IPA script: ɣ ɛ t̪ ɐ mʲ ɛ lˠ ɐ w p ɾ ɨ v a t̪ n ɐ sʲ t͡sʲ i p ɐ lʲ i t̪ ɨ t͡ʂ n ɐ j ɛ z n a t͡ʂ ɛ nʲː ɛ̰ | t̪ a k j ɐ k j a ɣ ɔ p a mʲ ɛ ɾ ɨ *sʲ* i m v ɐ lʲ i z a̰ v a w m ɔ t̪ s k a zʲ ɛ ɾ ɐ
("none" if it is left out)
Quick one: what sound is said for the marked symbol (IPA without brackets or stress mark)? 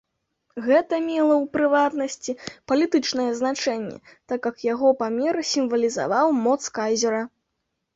sʲ